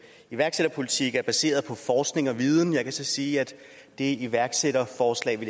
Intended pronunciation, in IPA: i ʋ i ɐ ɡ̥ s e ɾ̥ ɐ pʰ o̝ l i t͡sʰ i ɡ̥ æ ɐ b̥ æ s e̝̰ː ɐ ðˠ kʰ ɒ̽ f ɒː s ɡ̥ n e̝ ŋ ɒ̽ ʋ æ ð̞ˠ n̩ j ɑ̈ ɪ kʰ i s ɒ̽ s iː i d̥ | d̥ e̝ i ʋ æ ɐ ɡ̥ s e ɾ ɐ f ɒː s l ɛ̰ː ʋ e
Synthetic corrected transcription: i ʋ æ ɐ ɡ̥ s e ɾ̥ ɐ pʰ o̝ l i t͡sʰ i ɡ̥ æ ɐ b̥ æ s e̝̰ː ɐ ðˠ pʰ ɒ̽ f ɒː s ɡ̥ n e̝ ŋ ɒ̽ ʋ i ð̞ˠ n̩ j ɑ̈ ɪ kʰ æ s ɒ̽ s iː æ d̥ | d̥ e̝ i ʋ æ ɐ ɡ̥ s e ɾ ɐ f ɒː s l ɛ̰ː ʋ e